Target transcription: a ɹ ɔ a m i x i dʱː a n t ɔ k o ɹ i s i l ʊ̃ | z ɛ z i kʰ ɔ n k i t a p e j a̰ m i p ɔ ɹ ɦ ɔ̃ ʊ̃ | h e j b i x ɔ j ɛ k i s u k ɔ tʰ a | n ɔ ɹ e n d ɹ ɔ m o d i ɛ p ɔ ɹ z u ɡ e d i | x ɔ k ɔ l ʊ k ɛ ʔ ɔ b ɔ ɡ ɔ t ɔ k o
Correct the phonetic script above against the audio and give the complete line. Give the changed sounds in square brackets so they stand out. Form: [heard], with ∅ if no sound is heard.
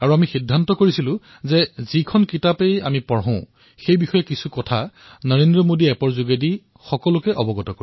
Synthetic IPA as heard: a ɹ [u] a m i x i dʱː a n t ɔ k o ɹ i s i l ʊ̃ | z ɛ z i kʰ ɔ n k i t a p e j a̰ m i p ɔ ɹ ɦ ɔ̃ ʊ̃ | [x] e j b i x ɔ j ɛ k i s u k ɔ tʰ a | n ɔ ɹ e n d ɹ ɔ m o d i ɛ p ɔ ɹ z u ɡ e d i | x ɔ k ɔ l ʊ k ɛ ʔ ɔ b ɔ ɡ ɔ t ɔ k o